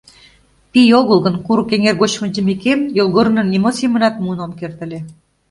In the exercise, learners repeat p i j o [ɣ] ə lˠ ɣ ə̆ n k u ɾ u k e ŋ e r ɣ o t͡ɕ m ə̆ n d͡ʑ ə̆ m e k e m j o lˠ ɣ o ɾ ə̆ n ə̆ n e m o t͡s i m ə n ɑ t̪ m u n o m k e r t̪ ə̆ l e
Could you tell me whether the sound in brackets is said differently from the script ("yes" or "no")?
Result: no